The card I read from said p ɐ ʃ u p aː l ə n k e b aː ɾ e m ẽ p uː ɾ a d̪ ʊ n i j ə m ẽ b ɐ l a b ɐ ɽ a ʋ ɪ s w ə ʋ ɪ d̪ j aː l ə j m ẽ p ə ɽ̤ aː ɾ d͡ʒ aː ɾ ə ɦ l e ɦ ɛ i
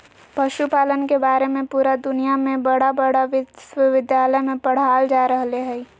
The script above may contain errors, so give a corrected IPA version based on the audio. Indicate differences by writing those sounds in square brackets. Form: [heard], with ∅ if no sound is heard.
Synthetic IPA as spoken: p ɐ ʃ u p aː l ə n k e b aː ɾ e m ẽ p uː ɾ a d̪ ʊ n i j [a] m ẽ b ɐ [ɽ] a b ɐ ɽ a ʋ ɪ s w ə ʋ ɪ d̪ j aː l ə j m ẽ p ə ɽ̤ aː [l] d͡ʒ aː ɾ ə ɦ l e ɦ ɛ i